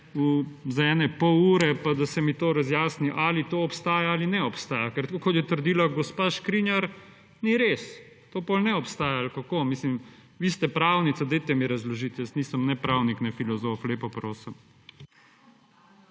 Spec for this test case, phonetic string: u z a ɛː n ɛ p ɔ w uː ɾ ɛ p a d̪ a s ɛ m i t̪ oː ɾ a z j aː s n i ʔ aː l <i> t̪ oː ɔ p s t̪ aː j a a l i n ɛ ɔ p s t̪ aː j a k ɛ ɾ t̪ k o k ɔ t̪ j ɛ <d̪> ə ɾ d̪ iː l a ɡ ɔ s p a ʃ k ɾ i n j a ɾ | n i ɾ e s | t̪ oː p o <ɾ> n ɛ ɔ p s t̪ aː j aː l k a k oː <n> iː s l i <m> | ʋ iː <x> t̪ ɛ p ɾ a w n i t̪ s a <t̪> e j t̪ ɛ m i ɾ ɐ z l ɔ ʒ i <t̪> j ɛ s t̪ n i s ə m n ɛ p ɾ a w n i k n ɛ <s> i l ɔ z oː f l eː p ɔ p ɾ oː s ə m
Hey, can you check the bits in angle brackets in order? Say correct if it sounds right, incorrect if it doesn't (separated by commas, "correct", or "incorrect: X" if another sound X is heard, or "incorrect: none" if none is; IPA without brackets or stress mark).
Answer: correct, incorrect: t̪, incorrect: l, incorrect: m, correct, incorrect: s, incorrect: d̪, correct, incorrect: f